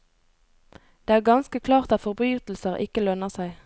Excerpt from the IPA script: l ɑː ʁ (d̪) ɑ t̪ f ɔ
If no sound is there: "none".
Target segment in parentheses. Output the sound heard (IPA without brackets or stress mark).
t̪